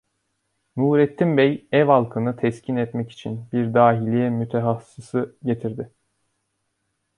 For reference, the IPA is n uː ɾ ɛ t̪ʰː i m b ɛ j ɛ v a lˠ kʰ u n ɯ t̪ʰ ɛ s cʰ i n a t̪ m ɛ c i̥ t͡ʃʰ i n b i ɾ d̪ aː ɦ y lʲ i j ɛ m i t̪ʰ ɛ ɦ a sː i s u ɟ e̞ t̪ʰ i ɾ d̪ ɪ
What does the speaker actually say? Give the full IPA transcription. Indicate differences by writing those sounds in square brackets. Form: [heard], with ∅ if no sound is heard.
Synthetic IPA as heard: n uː ɾ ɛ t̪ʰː i m b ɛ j ɛ v a lˠ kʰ [ɯ] n ɯ t̪ʰ ɛ s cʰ i n [ɛ] t̪ m ɛ c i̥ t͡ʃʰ i n b i ɾ d̪ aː ɦ [i] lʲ i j ɛ m [y] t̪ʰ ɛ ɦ a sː i s [ɯ] ɟ e̞ t̪ʰ i ɾ d̪ ɪ